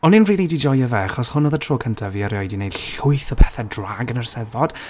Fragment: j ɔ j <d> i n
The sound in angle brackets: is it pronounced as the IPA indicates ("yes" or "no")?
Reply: yes